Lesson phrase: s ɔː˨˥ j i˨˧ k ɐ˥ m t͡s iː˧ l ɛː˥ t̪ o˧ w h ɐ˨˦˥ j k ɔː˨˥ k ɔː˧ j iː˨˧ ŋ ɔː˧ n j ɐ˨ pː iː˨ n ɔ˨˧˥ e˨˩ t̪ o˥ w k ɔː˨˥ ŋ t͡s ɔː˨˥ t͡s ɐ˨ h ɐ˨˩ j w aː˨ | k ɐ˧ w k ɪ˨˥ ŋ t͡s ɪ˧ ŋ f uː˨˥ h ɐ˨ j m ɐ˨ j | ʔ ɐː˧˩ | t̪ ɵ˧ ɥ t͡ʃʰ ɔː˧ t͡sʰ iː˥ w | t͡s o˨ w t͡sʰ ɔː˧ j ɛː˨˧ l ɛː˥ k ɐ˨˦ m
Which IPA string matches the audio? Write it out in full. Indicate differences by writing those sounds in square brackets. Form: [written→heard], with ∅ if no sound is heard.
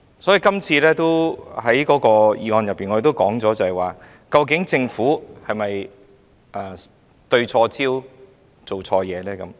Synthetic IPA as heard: s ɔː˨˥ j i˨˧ k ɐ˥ m [t͡s→t͡sʰ] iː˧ l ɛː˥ t̪ [o˧→o˥] w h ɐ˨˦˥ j k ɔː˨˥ k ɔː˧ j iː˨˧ ŋ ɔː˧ n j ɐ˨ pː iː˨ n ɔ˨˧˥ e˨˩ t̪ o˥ w k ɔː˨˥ ŋ t͡s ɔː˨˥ t͡s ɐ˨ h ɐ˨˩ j w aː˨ | k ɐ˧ w k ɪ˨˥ ŋ t͡s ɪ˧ ŋ f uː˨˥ h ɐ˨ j m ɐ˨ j | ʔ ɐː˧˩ | t̪ ɵ˧ ɥ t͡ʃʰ ɔː˧ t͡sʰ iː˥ w | t͡s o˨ w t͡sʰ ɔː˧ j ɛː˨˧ l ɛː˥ k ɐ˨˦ m